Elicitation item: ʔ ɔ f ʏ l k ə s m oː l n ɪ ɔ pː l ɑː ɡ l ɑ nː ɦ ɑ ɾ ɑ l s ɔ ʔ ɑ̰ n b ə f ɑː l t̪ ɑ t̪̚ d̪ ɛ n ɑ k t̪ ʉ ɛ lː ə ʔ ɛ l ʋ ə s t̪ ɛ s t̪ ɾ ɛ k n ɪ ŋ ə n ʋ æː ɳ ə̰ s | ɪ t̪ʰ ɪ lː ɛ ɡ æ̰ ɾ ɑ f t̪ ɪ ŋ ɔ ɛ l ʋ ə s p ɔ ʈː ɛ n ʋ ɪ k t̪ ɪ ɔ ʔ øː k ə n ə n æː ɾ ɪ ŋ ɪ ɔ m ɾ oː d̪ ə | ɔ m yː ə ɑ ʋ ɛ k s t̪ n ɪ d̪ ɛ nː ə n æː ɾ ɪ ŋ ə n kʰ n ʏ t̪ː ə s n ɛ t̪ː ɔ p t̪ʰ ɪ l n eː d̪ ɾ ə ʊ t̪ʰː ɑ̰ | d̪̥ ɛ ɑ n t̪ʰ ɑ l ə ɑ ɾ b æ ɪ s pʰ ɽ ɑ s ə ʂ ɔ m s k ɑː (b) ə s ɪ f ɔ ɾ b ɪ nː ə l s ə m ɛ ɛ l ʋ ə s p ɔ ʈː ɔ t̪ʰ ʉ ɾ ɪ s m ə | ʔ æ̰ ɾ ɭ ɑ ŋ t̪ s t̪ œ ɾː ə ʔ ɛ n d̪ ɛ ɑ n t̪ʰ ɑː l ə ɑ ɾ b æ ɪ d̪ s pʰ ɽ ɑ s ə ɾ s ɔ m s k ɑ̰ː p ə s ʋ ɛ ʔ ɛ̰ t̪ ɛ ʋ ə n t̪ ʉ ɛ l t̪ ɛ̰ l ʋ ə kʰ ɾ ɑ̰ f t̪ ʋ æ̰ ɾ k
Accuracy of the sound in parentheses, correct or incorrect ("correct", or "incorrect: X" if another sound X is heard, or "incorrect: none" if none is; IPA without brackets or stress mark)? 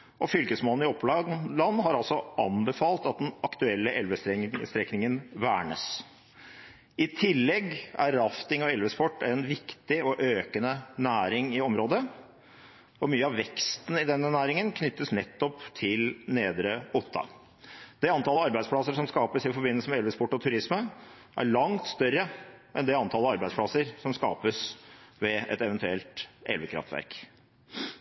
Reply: incorrect: p